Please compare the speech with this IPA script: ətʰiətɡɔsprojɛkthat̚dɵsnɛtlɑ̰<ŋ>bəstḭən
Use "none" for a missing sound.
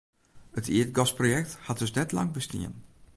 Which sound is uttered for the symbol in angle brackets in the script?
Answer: ŋ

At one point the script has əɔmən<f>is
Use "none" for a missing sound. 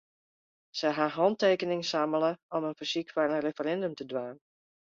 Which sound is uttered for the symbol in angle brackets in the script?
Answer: f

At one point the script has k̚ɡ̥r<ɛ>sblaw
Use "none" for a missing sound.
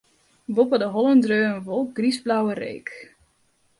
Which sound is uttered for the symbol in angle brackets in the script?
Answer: i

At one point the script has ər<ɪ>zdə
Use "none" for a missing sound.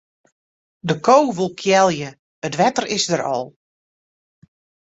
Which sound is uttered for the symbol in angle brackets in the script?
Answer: ɪ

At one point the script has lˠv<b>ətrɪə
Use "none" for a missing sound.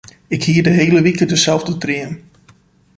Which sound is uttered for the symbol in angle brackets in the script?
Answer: d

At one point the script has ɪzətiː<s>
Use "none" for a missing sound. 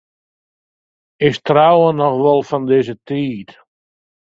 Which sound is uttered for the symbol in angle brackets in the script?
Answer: t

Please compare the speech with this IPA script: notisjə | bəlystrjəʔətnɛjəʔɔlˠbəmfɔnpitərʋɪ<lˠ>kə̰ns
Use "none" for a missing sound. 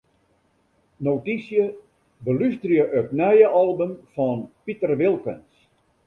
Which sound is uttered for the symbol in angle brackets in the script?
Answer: lˠ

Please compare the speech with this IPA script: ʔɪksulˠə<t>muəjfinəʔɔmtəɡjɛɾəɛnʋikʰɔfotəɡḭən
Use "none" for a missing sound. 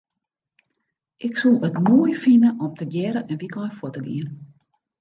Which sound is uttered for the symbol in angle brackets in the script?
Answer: t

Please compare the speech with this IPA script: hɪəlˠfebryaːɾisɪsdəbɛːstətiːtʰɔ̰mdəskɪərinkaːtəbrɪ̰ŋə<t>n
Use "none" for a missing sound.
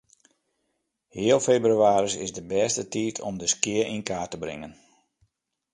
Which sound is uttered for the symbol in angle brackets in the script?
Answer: none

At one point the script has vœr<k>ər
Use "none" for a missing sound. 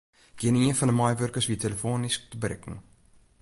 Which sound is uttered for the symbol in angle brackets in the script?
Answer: k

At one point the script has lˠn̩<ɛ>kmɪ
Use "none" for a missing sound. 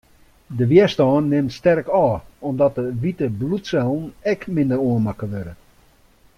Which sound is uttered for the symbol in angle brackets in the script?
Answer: ɛ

